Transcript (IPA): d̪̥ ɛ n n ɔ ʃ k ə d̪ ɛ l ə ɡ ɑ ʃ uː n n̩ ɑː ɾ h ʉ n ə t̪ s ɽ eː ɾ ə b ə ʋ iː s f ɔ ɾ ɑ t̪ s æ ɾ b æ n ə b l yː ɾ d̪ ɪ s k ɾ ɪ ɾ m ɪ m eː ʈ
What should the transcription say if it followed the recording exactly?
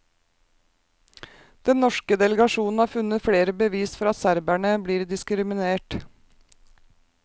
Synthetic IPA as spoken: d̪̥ ɛ n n ɔ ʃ k ə d̪ ɛ l ə ɡ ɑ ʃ uː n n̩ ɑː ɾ f ʉ n ə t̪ f ɽ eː ɾ ə b ə ʋ iː s f ɔ ɾ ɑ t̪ s æ ɾ b æ ɳ ə b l iː ɾ d̪ ɪ s k ɾ ɪ m ɪ n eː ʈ